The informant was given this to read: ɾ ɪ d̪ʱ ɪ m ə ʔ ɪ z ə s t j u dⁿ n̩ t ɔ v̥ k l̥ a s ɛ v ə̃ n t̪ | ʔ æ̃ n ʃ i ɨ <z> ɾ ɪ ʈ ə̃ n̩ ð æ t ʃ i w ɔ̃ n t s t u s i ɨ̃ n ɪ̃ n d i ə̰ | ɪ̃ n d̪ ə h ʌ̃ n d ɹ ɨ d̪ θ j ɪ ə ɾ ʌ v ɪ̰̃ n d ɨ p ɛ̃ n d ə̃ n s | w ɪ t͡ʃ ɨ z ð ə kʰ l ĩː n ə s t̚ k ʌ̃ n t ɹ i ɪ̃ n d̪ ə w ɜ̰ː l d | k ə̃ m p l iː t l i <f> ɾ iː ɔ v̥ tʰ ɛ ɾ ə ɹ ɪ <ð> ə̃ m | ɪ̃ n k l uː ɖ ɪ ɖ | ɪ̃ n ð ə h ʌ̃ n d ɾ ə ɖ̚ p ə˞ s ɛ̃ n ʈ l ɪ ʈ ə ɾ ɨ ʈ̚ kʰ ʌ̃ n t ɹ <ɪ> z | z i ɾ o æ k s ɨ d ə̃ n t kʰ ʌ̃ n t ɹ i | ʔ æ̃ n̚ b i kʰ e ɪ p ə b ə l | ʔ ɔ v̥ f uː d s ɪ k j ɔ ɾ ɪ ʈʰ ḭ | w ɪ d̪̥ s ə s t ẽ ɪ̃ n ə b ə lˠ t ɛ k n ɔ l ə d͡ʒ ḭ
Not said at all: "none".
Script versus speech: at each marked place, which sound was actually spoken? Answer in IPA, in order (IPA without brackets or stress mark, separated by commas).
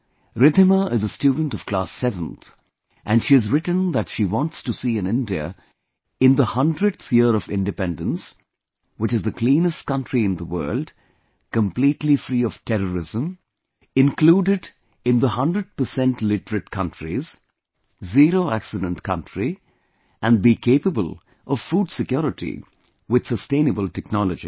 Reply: z, f, z, i